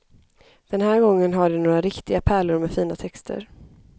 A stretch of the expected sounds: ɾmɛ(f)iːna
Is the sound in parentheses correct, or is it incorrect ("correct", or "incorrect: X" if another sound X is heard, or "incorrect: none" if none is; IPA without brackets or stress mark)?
correct